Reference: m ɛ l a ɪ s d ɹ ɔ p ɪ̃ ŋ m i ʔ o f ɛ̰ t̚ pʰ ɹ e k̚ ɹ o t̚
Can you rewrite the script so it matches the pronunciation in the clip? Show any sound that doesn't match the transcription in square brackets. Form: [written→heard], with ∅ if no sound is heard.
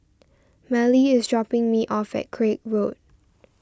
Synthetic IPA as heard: m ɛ l [a→i] ɪ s d ɹ ɔ p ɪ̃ ŋ m i ʔ [o→ɔ] f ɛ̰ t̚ [pʰ→kʰ] ɹ e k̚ ɹ o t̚